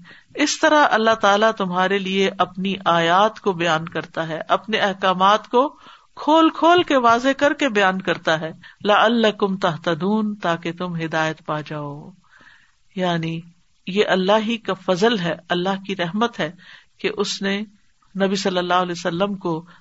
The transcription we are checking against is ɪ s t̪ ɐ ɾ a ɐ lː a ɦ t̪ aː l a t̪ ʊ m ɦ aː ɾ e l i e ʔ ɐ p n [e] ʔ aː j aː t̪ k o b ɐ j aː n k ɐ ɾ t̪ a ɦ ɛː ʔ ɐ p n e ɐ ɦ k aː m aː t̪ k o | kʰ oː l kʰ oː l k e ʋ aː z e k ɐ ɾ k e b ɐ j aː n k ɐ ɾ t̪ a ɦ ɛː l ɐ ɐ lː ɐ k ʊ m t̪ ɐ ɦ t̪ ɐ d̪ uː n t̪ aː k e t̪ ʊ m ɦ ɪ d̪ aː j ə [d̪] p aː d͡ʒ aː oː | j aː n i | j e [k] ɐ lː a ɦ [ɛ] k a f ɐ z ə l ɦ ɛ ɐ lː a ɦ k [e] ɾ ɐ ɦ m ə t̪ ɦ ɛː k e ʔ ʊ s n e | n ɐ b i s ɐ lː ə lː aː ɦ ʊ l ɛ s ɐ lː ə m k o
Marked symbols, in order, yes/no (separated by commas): no, no, no, no, no